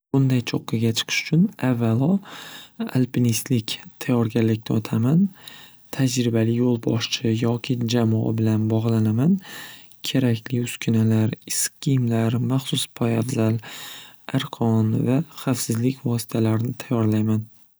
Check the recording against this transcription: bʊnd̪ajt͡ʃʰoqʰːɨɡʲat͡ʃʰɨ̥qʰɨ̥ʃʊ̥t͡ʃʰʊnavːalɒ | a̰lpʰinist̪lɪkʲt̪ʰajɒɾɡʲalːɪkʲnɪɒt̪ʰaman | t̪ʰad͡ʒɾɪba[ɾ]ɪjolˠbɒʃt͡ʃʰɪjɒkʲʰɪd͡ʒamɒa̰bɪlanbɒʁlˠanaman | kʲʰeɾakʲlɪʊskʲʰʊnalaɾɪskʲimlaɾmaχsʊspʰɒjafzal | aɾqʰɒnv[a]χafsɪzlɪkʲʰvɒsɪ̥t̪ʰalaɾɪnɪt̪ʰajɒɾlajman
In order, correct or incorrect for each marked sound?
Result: incorrect, correct

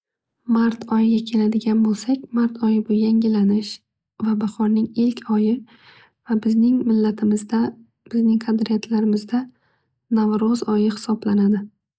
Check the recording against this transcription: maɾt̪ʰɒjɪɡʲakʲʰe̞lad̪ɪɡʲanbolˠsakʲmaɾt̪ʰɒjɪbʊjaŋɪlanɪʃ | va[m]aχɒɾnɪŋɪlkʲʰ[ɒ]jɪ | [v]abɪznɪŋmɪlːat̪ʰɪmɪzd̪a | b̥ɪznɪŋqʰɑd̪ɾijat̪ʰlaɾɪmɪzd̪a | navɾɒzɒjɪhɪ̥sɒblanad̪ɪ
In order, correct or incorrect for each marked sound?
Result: incorrect, correct, correct

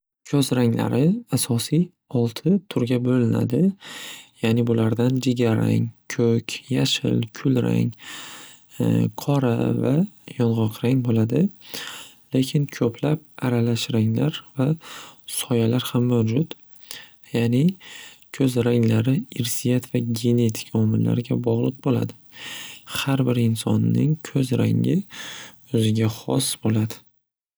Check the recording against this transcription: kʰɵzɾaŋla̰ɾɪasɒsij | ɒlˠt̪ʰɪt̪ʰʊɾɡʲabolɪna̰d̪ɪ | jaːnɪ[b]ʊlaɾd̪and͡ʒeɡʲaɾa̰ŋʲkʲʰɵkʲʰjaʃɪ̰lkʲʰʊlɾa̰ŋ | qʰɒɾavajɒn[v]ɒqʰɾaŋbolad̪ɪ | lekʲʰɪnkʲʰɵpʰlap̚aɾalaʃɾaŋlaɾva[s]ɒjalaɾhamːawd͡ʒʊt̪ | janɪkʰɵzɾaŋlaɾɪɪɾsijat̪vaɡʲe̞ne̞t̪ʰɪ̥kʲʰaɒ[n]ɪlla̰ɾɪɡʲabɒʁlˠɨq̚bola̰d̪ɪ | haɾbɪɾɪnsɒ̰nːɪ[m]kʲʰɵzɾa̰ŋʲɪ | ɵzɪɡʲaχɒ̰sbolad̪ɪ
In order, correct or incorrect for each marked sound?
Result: correct, incorrect, correct, incorrect, incorrect

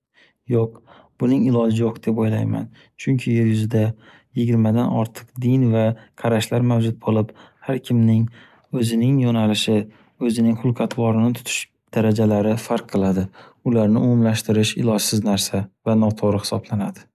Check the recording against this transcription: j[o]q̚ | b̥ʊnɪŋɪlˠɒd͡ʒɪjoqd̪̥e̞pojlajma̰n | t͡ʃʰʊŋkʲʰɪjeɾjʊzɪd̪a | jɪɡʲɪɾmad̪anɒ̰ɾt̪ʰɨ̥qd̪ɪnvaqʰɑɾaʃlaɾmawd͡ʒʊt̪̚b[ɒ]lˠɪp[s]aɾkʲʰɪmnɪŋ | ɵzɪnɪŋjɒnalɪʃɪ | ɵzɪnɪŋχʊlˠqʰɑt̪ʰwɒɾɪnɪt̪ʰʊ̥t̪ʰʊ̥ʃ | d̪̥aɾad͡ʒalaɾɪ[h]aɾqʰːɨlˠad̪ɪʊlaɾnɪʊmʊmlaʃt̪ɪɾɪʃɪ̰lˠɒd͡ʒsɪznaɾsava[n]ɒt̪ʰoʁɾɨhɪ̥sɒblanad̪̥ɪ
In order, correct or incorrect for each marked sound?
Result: correct, incorrect, incorrect, incorrect, correct

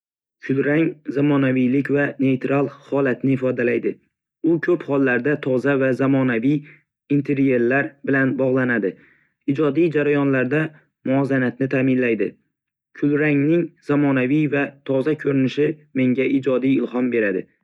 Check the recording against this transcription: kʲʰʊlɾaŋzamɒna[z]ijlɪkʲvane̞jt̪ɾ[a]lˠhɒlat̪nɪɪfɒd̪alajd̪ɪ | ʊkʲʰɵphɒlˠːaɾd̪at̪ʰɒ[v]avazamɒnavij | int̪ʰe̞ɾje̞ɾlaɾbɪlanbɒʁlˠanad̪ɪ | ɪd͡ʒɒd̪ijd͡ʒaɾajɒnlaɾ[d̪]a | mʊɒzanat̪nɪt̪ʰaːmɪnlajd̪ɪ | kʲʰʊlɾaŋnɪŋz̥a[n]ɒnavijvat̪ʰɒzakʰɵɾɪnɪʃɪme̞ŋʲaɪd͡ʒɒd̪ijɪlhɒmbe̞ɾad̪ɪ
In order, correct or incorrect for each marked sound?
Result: incorrect, correct, incorrect, correct, incorrect

